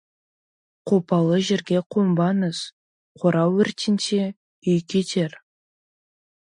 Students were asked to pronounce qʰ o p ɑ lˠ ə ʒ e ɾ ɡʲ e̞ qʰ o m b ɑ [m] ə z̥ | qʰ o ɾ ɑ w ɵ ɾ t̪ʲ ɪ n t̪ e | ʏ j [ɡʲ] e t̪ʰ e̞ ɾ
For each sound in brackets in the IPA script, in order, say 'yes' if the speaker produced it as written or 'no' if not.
no, no

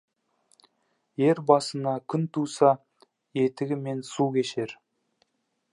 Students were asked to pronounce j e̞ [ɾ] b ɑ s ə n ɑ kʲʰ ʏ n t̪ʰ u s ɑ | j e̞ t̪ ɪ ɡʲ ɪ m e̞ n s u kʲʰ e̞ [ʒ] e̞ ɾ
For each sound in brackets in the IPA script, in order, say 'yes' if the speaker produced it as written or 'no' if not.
yes, no

